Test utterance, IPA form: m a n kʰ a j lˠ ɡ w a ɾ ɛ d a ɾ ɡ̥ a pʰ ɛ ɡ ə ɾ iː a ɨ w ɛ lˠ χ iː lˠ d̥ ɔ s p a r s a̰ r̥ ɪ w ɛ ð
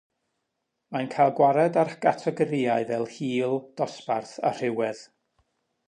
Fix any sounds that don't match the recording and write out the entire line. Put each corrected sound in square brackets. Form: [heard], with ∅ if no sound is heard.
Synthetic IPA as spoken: m a n kʰ a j lˠ ɡ w a ɾ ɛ d a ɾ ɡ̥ a [tʰ] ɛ ɡ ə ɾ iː a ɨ [v] ɛ lˠ [h] iː lˠ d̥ ɔ s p a r [θ] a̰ r̥ ɪ w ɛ ð